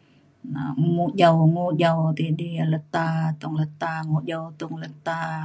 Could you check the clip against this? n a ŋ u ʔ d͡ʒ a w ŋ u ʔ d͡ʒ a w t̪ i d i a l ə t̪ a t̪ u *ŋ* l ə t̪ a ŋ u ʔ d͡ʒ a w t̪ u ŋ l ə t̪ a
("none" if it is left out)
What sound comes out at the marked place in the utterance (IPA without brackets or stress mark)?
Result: ŋ